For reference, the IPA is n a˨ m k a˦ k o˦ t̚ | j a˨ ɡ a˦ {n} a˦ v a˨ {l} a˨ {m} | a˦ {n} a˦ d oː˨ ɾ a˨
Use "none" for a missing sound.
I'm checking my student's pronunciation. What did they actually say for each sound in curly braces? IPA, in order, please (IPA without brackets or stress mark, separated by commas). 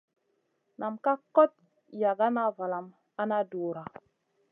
n, l, m, n